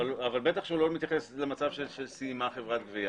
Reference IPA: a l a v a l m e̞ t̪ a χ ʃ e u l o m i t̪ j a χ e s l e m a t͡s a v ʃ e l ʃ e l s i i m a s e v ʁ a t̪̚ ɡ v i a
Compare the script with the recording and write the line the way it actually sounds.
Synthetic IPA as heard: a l a v a l b e̞ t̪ a χ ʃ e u l o m i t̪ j a χ e s l e m a t͡s a v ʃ e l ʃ e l s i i m a χ e v ʁ a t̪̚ ɡ v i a

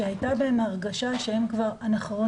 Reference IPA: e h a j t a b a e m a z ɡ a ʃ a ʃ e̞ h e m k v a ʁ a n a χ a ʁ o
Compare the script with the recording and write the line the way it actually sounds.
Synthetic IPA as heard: e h a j t a b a e m a ʁ ɡ a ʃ a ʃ e̞ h e m k v a ʁ a n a χ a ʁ o

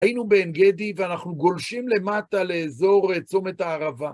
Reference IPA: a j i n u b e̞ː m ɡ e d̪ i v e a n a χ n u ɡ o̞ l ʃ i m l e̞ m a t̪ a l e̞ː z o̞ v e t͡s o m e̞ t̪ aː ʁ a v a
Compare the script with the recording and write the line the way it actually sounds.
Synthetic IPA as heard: a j i n u b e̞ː n ɡ e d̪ i v e a n a χ n u ɡ o̞ l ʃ i m l e̞ m a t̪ a l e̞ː z o̞ ʁ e t͡s o m e̞ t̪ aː ʁ a v a

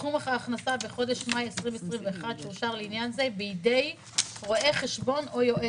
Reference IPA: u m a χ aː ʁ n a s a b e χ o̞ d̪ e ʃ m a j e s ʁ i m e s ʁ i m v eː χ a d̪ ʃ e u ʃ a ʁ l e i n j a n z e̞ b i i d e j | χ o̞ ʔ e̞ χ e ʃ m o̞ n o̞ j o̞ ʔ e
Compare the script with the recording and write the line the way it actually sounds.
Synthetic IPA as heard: u m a χ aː χ n a s a b e χ o̞ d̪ e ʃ m a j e s ʁ i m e s ʁ i m v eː χ a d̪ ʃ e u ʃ a ʁ l e i n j a n z e̞ b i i d e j | ʁ o̞ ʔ e̞ χ e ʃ b o̞ n o̞ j o̞ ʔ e

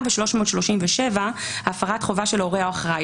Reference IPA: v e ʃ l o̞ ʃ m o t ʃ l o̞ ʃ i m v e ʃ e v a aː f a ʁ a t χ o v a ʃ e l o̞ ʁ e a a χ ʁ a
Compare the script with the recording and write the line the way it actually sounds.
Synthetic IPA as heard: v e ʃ l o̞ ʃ m o t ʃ l o̞ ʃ i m v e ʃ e v a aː f a ʁ a t χ o v a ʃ e l o̞ ʁ e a a χ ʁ a

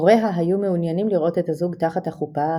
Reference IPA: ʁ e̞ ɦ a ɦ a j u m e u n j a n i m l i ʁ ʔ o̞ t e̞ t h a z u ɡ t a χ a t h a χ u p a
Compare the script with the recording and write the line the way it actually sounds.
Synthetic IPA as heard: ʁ e̞ ɦ a ɦ a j u m e u n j a n i m l i ʁ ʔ o̞ t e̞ t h a z u ɡ t a χ a t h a χ u p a

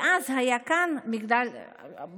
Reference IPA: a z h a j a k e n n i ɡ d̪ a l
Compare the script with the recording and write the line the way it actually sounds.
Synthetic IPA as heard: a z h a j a k a n m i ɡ d̪ a l

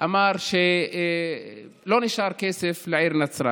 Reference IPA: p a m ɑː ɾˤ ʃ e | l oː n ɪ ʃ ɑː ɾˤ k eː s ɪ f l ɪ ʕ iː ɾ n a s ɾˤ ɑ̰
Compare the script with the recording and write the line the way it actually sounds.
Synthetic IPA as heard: ʔ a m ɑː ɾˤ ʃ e | l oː n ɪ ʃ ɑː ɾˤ k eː s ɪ f l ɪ ʕ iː ɾ n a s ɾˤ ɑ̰

